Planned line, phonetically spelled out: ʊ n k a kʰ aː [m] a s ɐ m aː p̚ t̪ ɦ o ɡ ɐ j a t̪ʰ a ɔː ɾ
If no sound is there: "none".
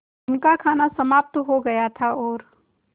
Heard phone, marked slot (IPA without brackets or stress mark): n